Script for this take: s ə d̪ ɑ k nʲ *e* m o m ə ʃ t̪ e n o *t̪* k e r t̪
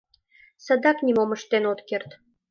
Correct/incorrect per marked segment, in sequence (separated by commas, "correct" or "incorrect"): incorrect, correct